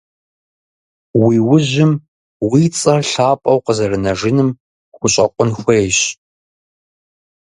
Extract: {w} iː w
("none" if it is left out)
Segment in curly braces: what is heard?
w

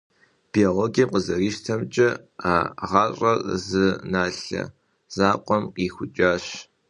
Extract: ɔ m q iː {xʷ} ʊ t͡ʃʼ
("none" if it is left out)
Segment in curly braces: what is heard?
xʷ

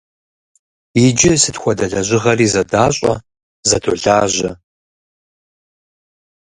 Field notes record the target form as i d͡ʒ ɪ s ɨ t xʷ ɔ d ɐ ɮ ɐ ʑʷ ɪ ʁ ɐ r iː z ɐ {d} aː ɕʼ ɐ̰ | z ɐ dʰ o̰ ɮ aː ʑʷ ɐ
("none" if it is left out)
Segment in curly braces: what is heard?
d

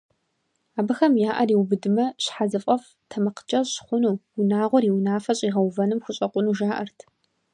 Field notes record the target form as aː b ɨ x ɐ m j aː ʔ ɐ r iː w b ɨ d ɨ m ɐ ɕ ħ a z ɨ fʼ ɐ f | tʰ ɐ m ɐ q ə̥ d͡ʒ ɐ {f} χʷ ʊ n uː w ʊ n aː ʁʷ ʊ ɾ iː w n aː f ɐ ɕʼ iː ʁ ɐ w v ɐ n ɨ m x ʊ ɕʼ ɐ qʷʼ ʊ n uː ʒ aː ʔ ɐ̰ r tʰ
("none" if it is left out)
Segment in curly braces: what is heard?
ɕ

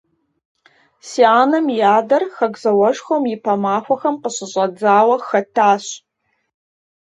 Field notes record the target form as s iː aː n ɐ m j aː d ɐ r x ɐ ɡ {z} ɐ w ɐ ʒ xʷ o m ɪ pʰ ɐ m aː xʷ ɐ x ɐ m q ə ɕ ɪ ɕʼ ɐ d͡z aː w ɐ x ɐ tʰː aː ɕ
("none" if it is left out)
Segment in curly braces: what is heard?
z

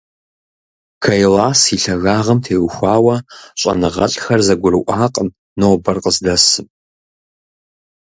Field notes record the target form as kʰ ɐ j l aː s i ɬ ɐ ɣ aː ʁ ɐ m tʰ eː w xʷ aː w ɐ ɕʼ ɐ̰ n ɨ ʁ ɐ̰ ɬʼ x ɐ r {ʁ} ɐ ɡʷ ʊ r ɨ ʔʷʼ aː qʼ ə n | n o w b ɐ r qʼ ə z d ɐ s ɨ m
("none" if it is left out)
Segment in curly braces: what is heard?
z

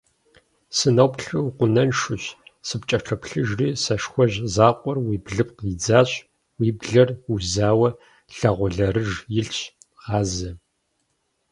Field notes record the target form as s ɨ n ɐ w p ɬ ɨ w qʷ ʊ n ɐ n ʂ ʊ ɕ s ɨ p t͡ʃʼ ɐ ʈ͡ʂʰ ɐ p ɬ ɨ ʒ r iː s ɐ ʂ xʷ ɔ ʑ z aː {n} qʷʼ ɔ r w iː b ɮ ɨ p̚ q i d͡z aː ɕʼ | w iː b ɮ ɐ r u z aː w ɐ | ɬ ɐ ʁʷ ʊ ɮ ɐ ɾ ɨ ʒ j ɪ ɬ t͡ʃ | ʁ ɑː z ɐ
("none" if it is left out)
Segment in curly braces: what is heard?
none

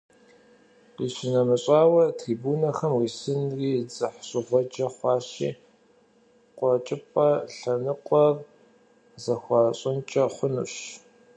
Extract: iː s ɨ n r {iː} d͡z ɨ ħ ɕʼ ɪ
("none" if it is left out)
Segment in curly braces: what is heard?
iː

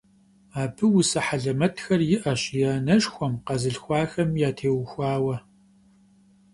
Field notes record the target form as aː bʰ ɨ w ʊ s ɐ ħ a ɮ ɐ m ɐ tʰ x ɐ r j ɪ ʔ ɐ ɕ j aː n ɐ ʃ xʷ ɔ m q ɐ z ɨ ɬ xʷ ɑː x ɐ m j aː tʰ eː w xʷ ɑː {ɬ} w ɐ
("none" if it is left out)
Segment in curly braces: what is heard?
none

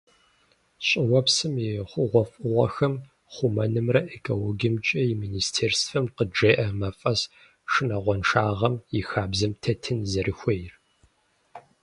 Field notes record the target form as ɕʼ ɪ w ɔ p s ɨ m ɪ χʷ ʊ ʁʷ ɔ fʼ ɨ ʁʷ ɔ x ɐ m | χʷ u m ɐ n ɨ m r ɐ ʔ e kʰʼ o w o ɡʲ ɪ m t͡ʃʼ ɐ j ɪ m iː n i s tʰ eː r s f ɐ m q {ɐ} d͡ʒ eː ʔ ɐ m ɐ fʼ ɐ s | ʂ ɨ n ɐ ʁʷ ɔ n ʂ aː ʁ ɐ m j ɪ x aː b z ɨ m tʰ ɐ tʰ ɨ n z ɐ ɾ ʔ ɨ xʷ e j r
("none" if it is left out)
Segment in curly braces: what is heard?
ə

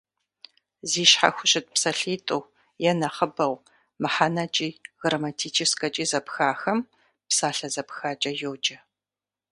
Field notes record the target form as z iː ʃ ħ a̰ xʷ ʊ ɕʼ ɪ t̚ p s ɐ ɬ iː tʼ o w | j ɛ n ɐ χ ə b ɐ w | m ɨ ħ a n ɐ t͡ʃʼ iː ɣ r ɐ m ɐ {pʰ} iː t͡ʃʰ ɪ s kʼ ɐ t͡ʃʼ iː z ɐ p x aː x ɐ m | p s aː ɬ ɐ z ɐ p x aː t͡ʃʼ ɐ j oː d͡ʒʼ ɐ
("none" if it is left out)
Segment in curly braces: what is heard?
tʰ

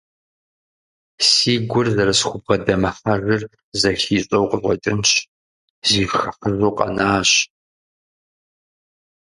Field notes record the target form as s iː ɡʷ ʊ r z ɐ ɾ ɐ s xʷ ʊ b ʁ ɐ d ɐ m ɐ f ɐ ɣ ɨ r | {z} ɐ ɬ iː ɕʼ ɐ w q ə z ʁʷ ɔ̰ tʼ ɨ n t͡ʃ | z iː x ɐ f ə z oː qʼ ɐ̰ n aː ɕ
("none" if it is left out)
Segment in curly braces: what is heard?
z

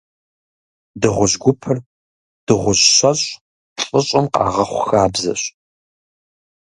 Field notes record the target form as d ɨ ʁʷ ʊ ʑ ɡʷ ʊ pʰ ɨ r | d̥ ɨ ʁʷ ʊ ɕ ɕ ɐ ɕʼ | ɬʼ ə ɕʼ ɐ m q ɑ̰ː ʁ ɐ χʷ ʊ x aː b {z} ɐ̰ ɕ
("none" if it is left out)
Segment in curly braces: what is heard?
z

